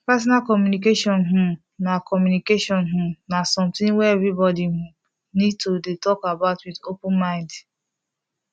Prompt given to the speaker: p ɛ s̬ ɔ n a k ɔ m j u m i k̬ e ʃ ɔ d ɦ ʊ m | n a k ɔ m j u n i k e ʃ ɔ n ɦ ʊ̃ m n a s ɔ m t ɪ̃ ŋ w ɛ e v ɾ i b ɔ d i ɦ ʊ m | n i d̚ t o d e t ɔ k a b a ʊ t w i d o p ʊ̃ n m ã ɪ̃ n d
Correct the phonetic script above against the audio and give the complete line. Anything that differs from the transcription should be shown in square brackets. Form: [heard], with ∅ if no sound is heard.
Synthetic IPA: p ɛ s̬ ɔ n a k ɔ m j u [n] i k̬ e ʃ ɔ [n] ɦ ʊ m | n a k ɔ m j u n i k e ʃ ɔ n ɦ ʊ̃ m n a s ɔ m t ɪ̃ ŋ w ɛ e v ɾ i b ɔ d i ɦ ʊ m | n i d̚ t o d e t ɔ k a b a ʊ t w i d o p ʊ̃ n m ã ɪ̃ n d